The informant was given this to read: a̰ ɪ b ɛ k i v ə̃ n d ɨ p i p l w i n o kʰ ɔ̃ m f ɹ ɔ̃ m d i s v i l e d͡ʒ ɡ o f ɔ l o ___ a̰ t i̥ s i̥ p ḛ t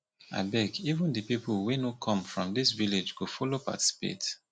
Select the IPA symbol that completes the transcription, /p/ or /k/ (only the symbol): p